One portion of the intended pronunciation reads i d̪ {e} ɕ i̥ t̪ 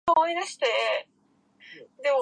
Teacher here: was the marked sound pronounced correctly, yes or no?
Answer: no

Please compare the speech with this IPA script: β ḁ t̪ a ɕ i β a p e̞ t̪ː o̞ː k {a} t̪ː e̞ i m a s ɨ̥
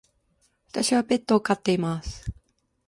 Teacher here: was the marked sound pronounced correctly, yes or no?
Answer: yes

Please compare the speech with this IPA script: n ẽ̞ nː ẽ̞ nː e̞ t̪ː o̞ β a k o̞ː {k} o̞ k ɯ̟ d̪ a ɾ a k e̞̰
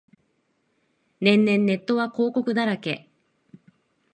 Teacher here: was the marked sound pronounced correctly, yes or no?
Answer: yes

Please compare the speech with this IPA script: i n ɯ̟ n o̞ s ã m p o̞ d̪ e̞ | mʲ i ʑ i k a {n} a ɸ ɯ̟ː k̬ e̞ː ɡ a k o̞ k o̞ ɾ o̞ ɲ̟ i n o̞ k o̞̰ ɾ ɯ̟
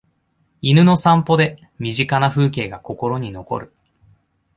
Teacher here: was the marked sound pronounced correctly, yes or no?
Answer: yes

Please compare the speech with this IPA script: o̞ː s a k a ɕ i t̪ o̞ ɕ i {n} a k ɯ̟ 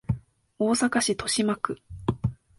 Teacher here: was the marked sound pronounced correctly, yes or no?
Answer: no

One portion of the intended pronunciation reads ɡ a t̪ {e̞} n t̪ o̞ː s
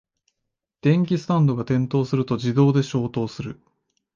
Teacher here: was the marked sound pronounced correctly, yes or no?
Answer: no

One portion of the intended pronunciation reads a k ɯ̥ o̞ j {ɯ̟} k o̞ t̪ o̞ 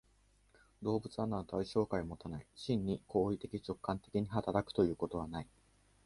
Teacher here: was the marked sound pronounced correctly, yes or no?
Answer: no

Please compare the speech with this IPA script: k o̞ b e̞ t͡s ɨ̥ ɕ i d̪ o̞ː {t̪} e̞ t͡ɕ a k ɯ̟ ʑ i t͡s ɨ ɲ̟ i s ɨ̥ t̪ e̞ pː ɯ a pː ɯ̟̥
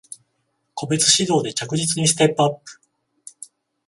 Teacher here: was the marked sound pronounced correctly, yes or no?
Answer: no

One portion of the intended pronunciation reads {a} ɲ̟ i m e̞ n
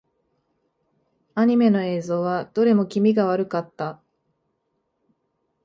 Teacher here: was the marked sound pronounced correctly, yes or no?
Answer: yes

